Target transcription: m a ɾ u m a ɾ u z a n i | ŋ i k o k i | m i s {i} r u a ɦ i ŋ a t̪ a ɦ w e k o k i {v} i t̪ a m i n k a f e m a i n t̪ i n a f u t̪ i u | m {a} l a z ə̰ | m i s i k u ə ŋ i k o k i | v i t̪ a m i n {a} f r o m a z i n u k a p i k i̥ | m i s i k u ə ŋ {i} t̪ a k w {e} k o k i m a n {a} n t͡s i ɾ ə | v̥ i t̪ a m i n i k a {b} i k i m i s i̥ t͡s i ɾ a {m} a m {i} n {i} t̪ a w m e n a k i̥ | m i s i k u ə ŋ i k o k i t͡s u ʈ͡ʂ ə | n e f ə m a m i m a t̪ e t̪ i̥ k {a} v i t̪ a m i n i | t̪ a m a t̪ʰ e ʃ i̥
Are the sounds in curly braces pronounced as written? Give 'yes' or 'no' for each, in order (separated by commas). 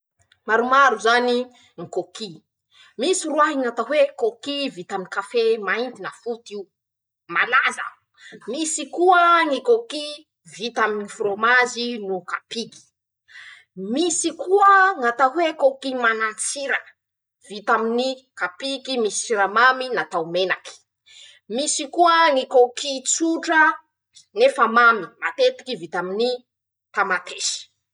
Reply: yes, yes, yes, no, no, yes, yes, no, yes, yes, no, no